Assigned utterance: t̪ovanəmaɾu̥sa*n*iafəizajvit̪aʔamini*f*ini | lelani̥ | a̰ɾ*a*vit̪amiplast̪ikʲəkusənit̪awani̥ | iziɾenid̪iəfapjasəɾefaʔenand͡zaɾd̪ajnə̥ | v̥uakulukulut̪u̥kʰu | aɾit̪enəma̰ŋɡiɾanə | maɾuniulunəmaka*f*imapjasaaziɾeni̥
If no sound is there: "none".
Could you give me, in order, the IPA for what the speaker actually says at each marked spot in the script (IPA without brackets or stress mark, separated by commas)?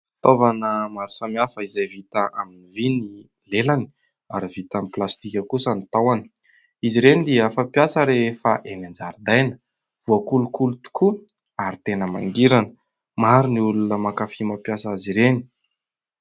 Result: m, v, i, f